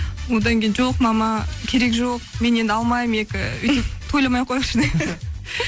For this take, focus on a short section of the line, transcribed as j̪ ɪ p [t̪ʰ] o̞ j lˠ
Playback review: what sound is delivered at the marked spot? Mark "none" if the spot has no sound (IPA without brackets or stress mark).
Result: t̪ʰ